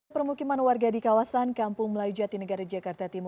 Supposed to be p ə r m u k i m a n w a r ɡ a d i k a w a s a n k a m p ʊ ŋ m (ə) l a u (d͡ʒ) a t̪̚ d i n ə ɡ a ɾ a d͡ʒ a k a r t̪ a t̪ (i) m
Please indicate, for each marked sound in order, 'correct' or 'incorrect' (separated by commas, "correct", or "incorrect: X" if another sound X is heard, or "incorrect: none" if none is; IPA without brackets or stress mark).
correct, correct, correct